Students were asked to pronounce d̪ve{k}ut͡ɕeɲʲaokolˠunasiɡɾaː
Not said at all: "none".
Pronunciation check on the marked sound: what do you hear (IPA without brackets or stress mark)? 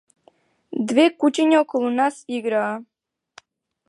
k